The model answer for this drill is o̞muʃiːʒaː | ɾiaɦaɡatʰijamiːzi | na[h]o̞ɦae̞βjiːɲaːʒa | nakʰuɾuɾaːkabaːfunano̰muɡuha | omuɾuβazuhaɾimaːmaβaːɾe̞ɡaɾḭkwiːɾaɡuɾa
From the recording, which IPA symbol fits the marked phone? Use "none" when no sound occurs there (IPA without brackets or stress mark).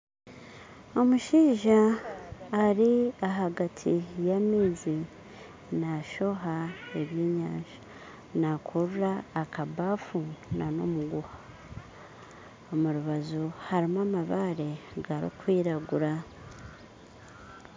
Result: ʃ